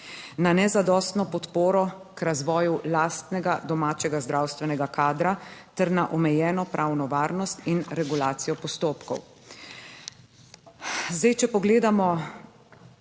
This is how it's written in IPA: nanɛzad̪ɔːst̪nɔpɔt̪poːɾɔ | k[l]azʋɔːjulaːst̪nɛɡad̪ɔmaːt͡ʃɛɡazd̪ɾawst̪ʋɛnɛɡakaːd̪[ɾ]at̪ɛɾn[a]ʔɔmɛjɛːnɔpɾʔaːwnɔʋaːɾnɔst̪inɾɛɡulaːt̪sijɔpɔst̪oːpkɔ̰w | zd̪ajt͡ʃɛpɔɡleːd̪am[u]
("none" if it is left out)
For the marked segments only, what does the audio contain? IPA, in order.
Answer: ɾ, ɾ, a, ɔ

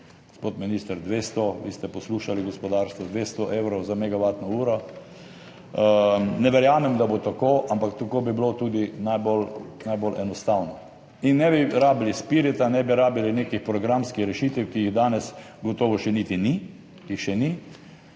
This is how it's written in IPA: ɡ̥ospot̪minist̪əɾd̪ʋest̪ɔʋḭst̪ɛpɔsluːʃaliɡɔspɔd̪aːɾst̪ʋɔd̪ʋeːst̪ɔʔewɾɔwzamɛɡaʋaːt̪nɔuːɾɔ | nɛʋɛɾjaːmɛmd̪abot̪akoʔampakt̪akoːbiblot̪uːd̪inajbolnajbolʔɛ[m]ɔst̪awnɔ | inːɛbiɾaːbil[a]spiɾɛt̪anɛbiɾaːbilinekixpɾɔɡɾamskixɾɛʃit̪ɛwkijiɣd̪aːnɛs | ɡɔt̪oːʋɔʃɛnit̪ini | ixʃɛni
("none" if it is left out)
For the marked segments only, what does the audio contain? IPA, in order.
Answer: n, i

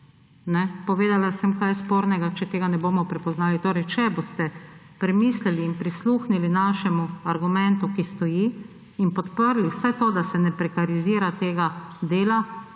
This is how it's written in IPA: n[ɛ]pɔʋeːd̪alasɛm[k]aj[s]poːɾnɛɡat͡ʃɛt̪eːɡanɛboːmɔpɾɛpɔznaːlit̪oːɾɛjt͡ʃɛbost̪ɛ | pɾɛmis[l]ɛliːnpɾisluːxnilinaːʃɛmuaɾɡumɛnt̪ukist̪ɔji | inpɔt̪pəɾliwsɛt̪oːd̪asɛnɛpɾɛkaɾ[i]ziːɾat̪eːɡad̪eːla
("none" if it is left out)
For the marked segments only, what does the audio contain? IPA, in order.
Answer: ɛ, k, s, l, i

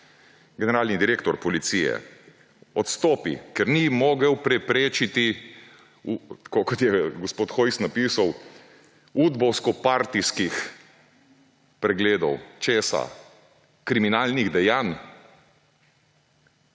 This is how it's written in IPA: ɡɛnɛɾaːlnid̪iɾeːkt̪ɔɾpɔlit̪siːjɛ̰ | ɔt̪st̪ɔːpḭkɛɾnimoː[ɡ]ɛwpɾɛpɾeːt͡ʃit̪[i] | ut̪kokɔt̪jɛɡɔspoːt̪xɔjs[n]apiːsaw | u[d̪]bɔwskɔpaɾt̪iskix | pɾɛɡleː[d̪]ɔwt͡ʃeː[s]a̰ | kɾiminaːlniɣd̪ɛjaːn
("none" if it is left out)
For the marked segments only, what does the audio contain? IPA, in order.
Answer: ɡ, i, n, d̪, d̪, s

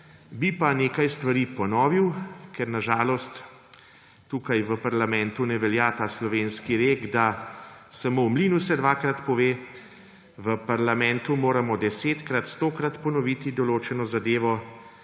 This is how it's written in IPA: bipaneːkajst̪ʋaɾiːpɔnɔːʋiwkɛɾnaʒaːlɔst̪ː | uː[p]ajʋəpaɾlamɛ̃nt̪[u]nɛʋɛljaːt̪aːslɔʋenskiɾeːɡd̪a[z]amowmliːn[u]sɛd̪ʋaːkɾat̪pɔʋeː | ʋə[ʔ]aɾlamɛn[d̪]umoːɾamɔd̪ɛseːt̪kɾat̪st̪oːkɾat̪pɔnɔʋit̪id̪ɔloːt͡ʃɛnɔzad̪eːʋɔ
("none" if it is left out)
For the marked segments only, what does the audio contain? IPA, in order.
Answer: k, u, s, u, p, t̪

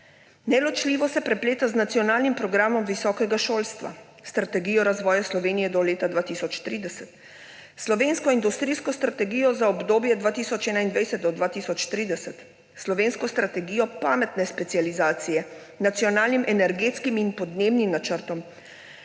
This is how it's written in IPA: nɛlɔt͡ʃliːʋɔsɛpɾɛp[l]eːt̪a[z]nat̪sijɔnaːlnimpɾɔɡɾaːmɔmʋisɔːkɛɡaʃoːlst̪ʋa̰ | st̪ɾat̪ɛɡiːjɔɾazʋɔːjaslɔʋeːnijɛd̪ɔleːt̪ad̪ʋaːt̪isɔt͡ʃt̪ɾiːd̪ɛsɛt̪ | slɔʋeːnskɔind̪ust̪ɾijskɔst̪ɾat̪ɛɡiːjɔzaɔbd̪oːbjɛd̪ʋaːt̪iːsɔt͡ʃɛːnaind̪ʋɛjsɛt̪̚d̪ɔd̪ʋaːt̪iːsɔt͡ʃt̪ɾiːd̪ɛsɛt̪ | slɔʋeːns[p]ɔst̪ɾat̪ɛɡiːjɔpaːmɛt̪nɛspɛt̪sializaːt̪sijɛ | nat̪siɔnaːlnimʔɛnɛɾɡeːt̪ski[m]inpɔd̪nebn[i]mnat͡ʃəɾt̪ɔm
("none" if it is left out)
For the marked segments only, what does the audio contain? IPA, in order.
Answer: l, z, k, m, i

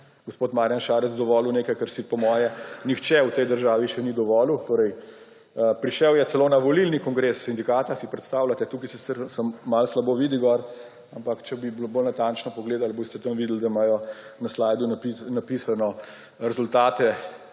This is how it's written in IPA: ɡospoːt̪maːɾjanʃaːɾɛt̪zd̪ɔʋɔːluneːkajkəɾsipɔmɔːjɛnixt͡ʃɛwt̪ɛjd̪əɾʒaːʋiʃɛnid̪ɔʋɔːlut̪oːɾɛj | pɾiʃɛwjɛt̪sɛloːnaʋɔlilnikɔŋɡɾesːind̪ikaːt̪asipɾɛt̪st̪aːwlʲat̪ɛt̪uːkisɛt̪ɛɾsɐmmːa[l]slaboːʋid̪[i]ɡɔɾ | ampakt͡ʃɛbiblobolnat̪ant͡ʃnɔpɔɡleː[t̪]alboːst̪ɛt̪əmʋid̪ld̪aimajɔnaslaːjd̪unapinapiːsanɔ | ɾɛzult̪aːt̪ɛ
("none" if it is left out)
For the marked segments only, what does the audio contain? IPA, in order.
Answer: l, i, d̪

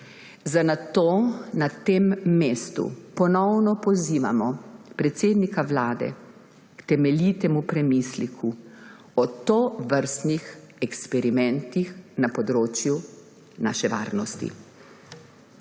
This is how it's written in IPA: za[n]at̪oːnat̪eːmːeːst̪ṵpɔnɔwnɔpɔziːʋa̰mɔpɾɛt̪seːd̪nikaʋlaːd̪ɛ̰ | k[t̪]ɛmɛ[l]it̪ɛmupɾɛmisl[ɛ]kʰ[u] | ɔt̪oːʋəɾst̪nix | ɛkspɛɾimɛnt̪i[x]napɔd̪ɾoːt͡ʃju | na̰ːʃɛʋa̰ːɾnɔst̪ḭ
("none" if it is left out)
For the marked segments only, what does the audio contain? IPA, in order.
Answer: n, t̪, l, i, u, x

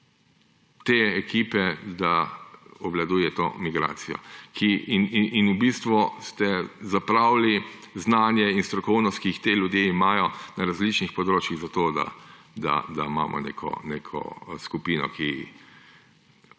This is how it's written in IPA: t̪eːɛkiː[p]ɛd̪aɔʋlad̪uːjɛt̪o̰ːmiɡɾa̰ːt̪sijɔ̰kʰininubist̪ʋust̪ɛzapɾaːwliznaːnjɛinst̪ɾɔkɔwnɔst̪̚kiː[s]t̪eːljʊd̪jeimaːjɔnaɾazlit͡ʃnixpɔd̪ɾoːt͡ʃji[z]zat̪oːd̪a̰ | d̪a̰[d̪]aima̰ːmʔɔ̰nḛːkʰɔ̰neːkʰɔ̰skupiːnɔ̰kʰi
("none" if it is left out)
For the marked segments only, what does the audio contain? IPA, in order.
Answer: p, x, ɣ, d̪

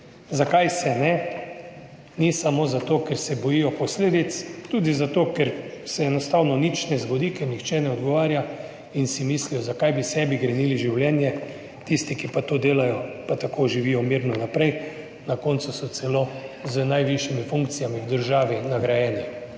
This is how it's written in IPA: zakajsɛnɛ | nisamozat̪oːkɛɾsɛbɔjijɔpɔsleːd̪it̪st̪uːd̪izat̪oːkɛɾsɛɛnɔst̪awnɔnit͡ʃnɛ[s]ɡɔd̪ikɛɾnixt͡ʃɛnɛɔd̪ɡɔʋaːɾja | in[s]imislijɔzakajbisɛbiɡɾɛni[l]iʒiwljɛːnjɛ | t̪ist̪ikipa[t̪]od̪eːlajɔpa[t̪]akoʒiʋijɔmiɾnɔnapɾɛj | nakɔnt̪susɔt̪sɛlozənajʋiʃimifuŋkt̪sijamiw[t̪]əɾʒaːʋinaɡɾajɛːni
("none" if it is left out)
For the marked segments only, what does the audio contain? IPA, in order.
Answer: z, s, l, t̪, t̪, d̪

